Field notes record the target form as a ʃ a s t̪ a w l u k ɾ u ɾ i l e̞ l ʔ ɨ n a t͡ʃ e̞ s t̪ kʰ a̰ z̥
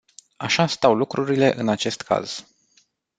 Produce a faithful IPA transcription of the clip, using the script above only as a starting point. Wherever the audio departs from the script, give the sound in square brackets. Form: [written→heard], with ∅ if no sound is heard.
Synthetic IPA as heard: a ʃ a s t̪ a w l u k ɾ u ɾ i l e̞ [l→∅] ʔ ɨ n a t͡ʃ e̞ s t̪ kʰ a̰ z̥